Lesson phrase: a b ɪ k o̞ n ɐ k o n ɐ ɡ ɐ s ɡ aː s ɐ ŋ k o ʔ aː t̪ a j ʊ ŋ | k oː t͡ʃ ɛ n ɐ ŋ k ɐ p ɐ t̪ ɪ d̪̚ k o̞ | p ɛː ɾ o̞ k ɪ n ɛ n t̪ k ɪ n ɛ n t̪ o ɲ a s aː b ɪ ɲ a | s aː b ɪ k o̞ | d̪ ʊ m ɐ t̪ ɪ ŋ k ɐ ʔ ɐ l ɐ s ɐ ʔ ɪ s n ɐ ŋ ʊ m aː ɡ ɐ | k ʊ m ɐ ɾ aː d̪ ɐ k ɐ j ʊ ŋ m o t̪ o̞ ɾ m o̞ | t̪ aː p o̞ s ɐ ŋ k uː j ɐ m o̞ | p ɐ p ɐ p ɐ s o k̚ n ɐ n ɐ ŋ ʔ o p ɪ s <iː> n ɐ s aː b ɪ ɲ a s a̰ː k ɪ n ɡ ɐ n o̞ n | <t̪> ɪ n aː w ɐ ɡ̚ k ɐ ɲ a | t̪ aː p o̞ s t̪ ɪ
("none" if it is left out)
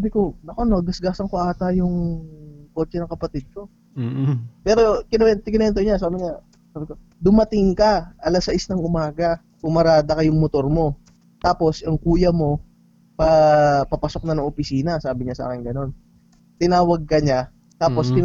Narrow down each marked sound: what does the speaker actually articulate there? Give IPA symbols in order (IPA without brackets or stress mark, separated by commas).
iː, t̪